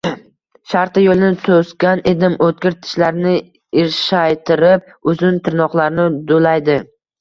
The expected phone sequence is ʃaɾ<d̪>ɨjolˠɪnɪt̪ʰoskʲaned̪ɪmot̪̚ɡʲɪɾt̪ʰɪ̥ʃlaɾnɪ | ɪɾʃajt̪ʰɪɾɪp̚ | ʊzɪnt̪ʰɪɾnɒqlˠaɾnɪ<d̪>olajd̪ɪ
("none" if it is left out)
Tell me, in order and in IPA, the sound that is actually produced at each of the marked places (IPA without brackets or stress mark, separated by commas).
t̪, d̪